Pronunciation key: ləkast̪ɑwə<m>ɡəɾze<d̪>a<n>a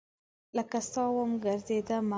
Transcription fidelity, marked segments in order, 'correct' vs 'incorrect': correct, correct, incorrect: m

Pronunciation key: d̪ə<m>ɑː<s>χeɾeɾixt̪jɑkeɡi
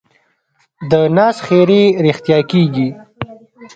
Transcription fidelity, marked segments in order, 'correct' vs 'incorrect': incorrect: n, correct

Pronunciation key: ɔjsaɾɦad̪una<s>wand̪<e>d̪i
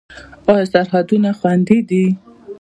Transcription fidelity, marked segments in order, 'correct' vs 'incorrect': incorrect: x, incorrect: i

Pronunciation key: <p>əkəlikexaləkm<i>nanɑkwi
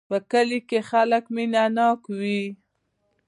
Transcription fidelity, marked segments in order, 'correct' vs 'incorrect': correct, correct

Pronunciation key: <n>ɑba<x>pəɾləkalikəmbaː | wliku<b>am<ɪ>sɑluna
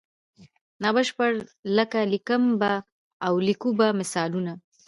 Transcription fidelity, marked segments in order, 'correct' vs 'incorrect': correct, incorrect: ʃ, correct, correct

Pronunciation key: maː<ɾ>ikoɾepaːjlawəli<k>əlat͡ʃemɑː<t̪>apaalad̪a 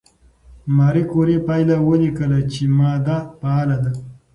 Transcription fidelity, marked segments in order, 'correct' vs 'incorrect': correct, correct, incorrect: d̪

